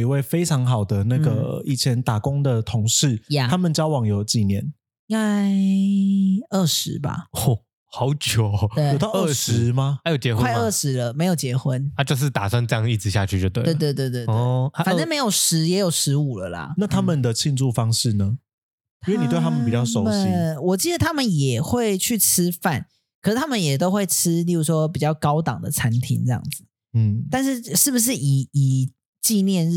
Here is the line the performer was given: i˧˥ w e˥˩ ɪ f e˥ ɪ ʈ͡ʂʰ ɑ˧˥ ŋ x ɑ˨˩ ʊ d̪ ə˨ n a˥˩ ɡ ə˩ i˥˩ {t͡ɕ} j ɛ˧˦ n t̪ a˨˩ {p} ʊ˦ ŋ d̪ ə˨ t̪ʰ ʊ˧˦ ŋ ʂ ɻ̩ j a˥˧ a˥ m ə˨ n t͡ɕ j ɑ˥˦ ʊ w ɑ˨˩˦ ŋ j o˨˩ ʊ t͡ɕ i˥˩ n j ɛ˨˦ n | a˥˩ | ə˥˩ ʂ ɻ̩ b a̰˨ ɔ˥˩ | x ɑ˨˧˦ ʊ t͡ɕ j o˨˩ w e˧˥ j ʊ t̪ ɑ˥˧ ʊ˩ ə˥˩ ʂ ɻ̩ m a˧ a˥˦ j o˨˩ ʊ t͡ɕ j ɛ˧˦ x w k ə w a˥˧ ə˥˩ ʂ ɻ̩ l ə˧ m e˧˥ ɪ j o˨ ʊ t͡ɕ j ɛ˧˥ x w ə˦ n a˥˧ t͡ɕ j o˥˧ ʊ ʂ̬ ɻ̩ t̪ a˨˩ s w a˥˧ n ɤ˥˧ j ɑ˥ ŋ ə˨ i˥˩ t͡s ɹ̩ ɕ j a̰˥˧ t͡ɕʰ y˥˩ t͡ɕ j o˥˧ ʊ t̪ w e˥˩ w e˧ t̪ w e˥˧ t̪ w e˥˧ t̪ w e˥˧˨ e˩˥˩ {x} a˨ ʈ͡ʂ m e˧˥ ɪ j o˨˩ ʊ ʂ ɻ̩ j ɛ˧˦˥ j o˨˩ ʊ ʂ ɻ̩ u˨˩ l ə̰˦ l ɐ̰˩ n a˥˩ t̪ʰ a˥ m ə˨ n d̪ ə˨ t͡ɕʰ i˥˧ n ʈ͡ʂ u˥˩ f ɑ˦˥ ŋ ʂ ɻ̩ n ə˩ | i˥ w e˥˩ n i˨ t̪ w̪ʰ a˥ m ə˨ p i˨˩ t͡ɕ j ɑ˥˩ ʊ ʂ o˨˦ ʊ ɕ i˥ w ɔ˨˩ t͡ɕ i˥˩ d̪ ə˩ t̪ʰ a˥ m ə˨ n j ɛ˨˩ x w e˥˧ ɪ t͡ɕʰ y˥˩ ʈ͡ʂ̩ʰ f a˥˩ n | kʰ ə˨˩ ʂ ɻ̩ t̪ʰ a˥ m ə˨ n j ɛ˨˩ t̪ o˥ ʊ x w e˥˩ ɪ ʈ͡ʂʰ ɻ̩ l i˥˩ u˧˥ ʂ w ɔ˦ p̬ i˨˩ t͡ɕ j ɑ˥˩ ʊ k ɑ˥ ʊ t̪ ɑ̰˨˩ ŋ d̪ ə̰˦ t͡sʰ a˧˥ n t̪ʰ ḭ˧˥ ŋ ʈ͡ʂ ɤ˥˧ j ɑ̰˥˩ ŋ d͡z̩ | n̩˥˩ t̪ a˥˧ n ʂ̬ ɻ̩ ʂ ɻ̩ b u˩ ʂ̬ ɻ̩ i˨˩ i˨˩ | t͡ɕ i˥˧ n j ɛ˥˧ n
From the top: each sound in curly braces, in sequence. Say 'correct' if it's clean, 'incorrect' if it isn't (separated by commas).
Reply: incorrect, incorrect, incorrect